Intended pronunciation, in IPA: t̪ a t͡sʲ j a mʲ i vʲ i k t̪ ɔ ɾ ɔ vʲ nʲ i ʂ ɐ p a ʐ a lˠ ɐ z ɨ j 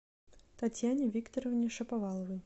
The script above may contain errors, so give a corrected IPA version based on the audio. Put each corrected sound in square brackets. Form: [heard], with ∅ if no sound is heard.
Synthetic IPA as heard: t̪ a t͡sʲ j a [nʲ] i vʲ i k t̪ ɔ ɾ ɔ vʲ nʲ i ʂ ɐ p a [v] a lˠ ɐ [v] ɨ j